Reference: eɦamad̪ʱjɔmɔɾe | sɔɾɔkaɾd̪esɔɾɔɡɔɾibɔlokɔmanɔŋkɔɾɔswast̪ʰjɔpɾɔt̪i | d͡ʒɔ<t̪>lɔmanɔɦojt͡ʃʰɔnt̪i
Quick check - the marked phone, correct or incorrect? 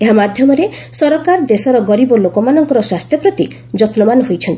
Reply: correct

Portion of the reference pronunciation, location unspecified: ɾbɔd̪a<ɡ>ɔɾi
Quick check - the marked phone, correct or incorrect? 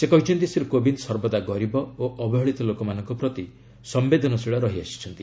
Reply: correct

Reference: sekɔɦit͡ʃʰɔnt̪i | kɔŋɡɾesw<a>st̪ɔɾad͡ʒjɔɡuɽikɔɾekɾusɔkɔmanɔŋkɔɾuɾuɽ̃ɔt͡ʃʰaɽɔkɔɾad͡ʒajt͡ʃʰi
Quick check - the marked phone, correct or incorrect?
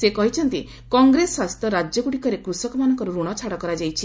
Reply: correct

